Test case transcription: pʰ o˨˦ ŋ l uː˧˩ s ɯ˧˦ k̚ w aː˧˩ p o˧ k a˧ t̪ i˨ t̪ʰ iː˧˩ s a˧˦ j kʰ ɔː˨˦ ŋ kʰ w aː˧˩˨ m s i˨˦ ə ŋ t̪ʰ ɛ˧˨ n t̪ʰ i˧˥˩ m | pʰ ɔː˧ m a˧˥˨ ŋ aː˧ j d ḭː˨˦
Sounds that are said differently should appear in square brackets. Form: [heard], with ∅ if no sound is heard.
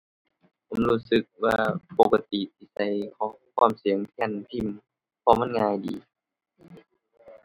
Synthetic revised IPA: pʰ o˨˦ [m] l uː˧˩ s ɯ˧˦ k̚ w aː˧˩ p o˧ k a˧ t̪ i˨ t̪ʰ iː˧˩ s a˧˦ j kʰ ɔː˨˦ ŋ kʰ w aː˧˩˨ m s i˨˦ ə ŋ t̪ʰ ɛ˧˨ n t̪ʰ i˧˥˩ m | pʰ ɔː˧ m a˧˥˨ ŋ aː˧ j d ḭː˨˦

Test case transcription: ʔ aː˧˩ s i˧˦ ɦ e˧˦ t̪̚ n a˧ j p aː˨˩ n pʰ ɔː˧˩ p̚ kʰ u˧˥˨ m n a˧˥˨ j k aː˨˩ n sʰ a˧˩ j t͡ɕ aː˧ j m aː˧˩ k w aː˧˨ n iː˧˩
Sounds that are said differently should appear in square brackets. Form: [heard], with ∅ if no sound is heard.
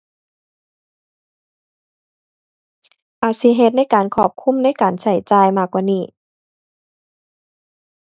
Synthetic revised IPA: ʔ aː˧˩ s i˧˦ ɦ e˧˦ t̪̚ n [a˥˨] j [k] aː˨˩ n [kʰ] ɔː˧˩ p̚ kʰ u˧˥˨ m n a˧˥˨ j k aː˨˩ n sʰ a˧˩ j t͡ɕ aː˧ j m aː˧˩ k w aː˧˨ n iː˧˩

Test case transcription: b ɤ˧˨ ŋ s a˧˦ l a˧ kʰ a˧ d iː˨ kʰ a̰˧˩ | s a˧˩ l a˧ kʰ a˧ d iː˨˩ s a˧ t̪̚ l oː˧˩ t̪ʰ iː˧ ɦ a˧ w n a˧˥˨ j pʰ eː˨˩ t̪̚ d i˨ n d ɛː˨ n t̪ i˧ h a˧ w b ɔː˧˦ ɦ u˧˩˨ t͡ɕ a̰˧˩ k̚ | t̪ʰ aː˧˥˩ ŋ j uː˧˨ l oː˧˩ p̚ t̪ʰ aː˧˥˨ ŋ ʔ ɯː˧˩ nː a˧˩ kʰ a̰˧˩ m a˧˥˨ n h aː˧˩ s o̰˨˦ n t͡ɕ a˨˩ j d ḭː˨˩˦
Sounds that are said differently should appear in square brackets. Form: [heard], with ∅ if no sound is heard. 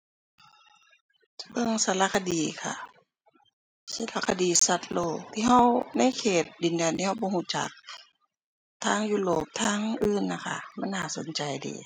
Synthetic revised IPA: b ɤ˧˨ ŋ s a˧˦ l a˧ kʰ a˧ d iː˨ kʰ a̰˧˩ | s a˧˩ l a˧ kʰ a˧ d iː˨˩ s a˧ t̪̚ l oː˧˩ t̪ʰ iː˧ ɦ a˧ w n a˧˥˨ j [kʰ] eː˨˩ t̪̚ d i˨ n d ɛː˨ n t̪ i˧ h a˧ w b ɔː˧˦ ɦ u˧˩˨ t͡ɕ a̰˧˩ k̚ | t̪ʰ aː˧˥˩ ŋ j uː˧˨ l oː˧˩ p̚ t̪ʰ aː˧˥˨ ŋ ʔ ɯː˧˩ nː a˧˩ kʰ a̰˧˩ m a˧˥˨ n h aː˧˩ s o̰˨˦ n t͡ɕ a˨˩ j d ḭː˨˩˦

